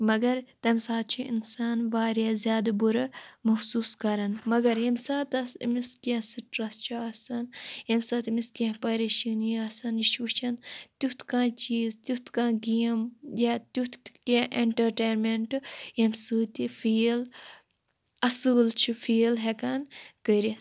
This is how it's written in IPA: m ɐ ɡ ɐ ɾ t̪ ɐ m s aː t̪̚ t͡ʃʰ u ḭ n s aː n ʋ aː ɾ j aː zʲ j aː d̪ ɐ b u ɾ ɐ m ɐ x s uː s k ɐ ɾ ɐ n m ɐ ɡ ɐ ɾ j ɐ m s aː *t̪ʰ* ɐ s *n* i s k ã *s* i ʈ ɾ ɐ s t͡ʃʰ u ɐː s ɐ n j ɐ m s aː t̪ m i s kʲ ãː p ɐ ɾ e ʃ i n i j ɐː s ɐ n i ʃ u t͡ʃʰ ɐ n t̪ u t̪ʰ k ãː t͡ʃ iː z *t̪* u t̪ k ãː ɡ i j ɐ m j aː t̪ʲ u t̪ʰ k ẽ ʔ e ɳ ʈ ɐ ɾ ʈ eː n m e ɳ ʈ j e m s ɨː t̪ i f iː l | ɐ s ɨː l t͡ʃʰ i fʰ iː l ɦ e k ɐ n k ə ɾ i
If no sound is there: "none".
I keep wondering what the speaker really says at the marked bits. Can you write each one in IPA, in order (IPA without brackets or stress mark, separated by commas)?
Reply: t̪, m, s, t̪